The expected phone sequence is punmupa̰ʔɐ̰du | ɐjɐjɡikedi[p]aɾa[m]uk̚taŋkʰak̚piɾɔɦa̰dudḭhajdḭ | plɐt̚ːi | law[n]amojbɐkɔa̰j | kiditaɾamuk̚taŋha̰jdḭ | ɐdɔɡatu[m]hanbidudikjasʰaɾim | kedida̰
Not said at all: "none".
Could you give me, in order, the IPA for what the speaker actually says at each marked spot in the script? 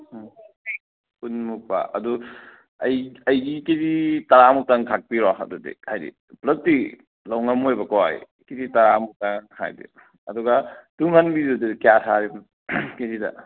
t, m, ŋ, ŋ

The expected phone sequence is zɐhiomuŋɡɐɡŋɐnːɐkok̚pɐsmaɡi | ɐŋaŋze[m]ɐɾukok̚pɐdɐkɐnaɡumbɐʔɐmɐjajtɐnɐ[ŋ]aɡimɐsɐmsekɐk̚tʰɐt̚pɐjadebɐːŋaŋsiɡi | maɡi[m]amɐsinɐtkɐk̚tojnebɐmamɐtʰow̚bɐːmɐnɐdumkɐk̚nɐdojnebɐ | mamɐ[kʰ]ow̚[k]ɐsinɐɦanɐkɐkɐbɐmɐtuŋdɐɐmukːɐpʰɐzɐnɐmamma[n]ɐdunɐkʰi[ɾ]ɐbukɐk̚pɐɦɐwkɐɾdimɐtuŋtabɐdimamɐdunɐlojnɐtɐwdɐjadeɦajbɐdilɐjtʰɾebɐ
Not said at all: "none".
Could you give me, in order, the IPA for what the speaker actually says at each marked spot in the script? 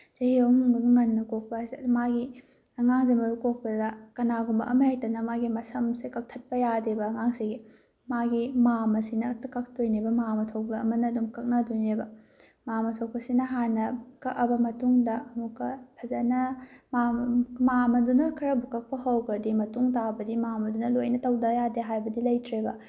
m, m, m, tʰ, p, m, ɾ

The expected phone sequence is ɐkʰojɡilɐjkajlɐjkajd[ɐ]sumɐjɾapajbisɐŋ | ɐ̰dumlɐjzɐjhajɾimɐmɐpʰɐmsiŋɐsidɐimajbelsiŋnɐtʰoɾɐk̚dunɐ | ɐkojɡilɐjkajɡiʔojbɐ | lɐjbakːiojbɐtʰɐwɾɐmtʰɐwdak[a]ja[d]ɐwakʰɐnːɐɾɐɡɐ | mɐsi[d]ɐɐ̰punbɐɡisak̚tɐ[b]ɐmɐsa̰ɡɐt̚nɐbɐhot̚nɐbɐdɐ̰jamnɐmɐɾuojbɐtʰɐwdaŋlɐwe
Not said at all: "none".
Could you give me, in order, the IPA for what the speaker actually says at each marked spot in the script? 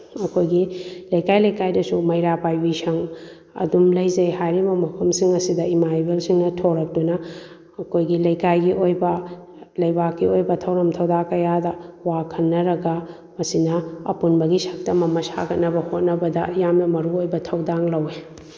ɐ, ɐ, d, n, m

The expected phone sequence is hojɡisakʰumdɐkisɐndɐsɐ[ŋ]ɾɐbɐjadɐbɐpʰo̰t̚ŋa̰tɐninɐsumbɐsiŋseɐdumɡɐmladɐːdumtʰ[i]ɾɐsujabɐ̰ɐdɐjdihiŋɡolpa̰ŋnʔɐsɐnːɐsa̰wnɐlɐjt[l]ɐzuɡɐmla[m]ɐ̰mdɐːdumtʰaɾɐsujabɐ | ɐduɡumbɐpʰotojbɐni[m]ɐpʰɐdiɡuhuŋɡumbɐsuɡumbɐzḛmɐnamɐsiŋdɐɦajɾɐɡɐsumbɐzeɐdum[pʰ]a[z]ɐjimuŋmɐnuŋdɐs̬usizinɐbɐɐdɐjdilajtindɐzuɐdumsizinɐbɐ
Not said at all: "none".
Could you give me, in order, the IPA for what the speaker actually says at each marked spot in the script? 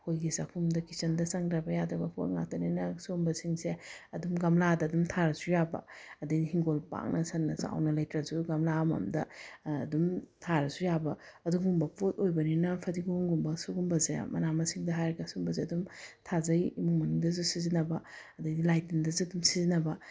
ŋ, a, ɾ, m, n, tʰ, z

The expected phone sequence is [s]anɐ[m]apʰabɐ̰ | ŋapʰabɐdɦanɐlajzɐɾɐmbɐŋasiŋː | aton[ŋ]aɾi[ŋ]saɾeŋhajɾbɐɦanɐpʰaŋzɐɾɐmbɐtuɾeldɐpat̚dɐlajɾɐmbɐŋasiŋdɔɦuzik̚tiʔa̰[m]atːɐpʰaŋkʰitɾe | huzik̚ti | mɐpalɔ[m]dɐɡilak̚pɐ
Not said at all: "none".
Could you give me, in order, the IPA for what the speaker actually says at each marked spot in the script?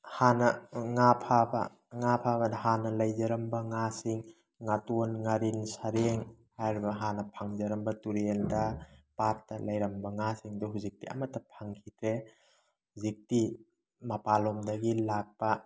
h, ŋ, ŋ, n, m, m

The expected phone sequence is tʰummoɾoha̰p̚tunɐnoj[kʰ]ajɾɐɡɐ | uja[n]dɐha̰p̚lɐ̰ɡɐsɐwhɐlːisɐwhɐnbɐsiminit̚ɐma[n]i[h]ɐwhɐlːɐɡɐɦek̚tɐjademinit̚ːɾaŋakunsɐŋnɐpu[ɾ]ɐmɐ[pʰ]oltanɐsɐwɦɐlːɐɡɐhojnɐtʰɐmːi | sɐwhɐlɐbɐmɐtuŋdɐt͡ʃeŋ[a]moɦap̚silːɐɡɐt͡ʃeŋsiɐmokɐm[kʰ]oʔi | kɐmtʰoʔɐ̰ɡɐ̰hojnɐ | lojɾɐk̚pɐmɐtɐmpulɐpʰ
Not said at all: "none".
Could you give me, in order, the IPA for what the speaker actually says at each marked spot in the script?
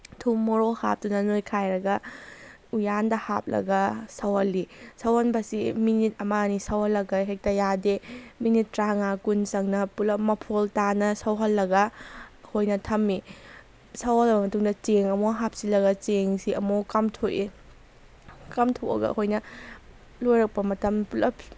kʰ, n, n, s, l, pʰ, ɐ, tʰ

